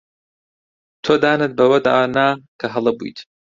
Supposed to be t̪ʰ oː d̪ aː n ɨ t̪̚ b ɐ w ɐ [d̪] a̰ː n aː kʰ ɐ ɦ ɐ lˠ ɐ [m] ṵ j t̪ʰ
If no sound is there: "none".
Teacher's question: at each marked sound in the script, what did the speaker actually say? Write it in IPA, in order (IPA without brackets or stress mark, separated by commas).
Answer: d̪, b